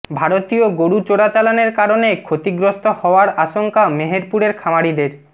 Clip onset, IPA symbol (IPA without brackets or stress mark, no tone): bʱ